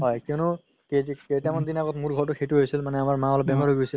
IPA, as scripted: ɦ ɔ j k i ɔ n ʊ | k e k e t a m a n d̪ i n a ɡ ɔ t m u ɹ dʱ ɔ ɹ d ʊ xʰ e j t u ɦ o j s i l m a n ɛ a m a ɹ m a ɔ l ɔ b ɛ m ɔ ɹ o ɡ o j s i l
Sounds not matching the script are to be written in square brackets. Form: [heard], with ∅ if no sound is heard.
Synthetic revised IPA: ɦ ɔ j k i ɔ n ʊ | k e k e t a m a n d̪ i n a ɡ ɔ t m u ɹ [ɡʱ] ɔ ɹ [t] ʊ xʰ e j t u ɦ o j s i l m a n ɛ a m a ɹ m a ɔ l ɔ b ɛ m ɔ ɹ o ɡ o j s i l